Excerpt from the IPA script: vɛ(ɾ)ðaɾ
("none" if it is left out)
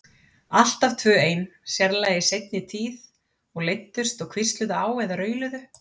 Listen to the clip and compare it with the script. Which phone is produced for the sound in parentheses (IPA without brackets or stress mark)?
none